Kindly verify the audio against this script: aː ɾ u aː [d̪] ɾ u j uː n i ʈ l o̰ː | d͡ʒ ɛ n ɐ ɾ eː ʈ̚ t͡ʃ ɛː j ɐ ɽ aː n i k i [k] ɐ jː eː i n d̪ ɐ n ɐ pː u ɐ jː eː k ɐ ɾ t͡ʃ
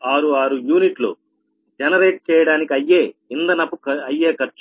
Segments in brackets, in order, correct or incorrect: incorrect: none, incorrect: none

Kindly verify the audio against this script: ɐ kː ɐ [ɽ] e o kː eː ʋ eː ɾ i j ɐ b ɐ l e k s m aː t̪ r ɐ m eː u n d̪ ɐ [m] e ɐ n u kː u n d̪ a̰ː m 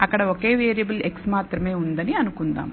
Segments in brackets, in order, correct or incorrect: correct, incorrect: n

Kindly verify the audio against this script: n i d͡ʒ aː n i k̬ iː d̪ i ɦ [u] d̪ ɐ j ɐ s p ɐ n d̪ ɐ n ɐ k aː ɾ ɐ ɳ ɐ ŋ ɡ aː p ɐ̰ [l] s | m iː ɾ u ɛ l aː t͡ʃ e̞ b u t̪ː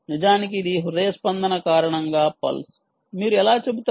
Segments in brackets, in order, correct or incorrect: correct, correct

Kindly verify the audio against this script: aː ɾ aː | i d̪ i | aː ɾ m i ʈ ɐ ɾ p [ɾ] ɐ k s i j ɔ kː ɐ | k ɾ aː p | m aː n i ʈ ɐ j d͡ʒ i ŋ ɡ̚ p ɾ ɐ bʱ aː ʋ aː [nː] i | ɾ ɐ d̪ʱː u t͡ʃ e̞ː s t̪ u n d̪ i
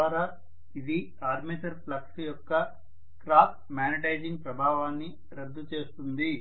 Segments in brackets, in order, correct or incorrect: incorrect: l, correct

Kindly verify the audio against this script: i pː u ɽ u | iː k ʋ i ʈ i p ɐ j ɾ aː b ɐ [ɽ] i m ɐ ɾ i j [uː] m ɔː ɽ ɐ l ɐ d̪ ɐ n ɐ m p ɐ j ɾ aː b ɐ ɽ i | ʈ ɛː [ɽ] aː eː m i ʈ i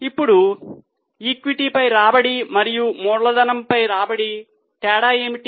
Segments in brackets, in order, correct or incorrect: correct, incorrect: u, correct

